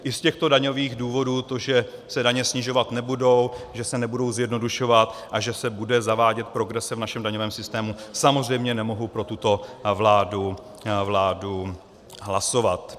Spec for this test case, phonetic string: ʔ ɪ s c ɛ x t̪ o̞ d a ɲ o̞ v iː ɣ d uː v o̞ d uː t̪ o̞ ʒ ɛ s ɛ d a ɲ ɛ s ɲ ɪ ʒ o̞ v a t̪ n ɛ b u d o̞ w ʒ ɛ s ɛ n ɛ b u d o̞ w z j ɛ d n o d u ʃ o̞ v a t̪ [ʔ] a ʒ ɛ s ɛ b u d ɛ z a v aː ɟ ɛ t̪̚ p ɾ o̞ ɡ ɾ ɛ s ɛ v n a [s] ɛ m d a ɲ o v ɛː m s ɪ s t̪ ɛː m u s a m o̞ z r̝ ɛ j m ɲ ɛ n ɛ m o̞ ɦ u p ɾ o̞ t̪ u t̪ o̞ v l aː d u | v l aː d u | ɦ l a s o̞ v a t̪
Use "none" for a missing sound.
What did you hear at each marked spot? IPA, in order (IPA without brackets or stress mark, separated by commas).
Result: ʔ, ʃ